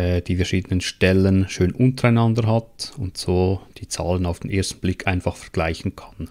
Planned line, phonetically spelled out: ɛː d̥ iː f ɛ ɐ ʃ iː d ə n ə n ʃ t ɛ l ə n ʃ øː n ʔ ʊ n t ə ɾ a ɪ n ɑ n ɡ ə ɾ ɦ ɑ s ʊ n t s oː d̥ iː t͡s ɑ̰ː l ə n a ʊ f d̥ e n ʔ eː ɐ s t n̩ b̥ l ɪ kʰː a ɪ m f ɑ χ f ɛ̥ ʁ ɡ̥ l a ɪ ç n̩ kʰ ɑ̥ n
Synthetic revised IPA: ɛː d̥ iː f ɛ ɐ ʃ iː d ə n ə n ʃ t ɛ l ə n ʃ øː n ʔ ʊ n t ə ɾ a ɪ n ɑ n d ə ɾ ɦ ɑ t ʊ n t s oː d̥ iː t͡s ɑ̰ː l ə n a ʊ f d̥ e n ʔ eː ɐ s t n̩ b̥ l ɪ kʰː a ɪ n f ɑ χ f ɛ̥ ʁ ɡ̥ l a ɪ ç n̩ kʰ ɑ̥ n